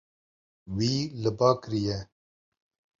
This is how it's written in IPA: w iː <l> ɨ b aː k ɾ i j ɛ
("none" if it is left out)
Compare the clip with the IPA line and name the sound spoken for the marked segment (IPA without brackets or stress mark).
l